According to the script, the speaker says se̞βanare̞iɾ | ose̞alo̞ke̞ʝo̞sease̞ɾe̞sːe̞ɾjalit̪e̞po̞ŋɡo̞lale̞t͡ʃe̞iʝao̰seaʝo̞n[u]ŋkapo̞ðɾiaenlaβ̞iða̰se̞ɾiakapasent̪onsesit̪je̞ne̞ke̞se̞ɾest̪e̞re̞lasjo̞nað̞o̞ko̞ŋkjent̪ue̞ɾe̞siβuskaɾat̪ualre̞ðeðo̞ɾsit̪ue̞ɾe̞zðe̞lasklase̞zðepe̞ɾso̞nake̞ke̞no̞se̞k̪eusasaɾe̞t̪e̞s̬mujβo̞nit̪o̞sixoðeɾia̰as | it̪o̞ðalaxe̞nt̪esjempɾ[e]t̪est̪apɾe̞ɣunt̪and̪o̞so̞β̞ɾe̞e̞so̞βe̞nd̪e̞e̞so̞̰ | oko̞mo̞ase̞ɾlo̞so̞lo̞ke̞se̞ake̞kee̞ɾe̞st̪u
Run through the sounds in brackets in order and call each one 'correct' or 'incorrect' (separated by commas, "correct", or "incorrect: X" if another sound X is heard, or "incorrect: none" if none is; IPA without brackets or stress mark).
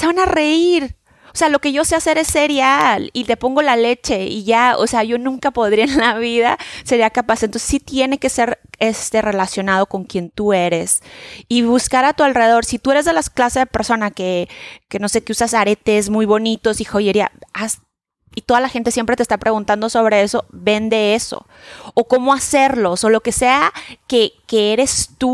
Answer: incorrect: ũ, correct